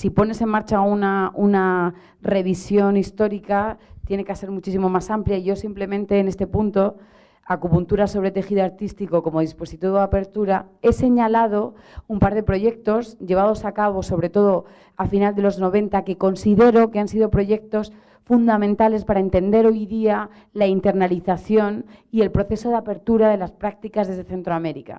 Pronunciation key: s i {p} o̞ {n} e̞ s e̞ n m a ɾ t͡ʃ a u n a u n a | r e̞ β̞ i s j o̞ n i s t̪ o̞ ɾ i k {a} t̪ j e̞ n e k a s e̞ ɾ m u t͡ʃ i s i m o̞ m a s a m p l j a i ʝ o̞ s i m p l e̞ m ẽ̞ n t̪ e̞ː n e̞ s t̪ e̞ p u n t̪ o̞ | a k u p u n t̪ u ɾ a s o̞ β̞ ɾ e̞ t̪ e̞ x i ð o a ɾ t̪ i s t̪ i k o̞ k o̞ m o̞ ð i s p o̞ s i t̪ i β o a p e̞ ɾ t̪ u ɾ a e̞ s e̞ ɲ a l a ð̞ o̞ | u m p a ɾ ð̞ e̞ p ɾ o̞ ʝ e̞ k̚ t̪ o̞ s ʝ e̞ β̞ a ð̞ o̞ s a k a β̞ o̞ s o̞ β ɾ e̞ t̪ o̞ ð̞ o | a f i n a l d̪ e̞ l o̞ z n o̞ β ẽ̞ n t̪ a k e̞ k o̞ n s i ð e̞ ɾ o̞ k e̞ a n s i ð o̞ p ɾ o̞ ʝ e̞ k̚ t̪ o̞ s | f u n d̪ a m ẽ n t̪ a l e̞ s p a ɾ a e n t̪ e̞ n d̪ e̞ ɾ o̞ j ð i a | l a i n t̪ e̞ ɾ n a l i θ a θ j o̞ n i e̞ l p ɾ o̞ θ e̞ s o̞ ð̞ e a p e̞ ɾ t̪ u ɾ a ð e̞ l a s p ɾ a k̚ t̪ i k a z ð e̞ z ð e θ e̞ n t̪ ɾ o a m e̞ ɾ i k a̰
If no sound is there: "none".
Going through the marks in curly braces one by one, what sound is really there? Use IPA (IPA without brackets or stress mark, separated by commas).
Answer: p, n, a